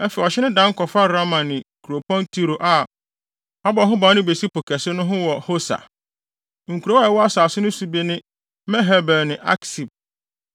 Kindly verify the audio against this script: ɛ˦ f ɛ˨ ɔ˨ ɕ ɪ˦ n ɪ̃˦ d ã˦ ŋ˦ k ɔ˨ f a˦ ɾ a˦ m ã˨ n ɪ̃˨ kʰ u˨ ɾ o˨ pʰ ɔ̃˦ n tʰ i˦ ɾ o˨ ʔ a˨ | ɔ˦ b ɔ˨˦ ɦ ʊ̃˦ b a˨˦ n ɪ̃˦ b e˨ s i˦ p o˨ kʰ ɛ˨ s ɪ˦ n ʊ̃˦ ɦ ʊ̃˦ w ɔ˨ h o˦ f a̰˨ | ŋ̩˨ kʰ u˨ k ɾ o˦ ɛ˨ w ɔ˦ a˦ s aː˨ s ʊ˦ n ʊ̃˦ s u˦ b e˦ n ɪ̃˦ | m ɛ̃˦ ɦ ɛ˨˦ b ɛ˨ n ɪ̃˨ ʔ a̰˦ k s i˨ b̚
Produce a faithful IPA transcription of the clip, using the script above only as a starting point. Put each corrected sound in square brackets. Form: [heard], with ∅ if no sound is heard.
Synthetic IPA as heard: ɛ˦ f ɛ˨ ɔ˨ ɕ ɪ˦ n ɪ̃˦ d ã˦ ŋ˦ k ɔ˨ f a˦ ɾ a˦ m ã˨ n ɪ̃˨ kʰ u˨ ɾ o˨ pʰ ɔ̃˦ n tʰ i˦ ɾ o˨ ʔ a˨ | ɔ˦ b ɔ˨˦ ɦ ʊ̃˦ b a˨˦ n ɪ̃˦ b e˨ s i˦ p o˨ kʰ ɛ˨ s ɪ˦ n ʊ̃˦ ɦ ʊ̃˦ w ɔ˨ h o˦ [s] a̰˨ | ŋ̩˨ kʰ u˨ [∅] ɾ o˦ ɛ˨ w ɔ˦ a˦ s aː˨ s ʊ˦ n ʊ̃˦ s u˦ b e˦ n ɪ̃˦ | m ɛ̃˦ ɦ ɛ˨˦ b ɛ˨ n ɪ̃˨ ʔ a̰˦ k s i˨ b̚